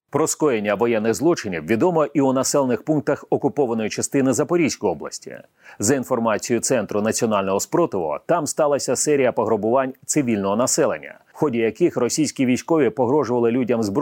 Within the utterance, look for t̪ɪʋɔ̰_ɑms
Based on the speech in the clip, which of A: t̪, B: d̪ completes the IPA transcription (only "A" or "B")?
A